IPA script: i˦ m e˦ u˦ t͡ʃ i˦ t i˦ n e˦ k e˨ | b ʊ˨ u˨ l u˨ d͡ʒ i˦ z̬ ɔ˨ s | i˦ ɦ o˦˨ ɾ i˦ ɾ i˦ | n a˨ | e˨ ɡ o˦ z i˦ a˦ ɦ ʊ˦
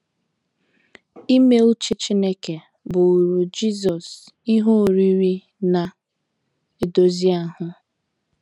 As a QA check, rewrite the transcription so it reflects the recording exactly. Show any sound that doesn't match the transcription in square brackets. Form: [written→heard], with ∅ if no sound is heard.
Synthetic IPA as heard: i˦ m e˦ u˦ t͡ʃ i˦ [t→t͡ʃ] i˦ n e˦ k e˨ | b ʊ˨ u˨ [l→ɾ] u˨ d͡ʒ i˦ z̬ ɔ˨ s | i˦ ɦ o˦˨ ɾ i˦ ɾ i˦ | n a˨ | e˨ [ɡ→d] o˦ z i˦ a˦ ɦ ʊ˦